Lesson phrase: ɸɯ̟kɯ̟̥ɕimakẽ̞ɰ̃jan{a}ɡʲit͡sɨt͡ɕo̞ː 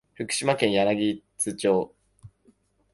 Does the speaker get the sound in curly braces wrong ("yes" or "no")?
no